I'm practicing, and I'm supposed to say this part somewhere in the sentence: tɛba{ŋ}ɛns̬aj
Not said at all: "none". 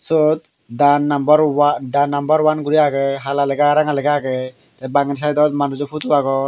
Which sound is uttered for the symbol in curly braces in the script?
ŋ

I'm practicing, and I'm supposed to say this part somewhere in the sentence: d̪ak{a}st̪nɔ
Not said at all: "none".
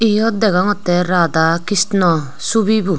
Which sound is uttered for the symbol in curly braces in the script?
i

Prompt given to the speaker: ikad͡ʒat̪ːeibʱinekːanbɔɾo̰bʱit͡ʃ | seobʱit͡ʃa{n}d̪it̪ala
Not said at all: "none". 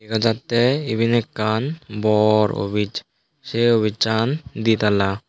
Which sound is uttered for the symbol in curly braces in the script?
n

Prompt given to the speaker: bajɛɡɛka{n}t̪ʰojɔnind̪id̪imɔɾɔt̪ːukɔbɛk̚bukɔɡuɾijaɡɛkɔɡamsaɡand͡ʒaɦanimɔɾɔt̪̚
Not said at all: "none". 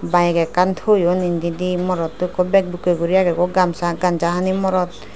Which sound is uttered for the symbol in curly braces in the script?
n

